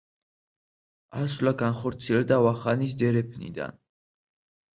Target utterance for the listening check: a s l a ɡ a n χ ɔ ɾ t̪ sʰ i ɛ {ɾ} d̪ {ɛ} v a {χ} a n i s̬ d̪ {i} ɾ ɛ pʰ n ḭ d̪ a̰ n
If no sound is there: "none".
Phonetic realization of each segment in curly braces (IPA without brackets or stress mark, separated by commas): l, a, χ, ɛ